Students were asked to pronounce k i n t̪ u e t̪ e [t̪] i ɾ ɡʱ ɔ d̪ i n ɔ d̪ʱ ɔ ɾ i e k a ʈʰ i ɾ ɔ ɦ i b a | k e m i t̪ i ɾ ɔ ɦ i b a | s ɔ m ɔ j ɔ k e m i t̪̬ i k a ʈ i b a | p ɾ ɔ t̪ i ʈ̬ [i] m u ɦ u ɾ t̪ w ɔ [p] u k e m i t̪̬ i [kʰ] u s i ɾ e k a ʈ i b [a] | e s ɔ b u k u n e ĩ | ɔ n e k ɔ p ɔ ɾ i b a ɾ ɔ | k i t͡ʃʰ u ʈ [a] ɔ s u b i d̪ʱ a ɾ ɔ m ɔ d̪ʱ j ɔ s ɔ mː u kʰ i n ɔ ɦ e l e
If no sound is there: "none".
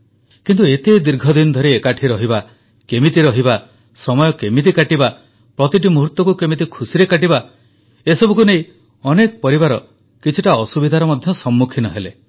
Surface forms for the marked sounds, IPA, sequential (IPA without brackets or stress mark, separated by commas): d̪, i, k, kʰ, a, a